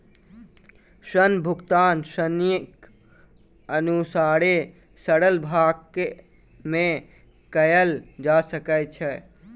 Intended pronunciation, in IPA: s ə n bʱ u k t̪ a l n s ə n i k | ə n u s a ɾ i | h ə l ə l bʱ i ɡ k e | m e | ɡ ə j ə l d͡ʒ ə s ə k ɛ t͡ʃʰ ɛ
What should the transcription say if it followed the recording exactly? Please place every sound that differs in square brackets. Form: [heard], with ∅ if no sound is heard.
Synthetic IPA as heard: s ə n bʱ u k t̪ a [∅] n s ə n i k | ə n u s a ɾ [e] | [s] ə [ɽ] ə l bʱ [a] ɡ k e | m e | [k] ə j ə l d͡ʒ [a] s ə k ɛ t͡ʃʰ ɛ